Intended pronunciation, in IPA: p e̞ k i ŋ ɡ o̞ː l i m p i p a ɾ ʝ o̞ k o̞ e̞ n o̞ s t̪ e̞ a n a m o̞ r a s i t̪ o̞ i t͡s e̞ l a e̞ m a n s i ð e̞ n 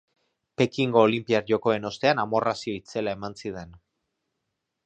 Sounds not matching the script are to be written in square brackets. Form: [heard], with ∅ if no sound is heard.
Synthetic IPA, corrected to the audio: p e̞ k i ŋ ɡ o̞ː l i m p i [∅] a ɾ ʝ o̞ k o̞ e̞ n o̞ s t̪ e̞ a n a m o̞ r a s i [∅] o̞ i t͡s e̞ l a e̞ m a n s i ð e̞ n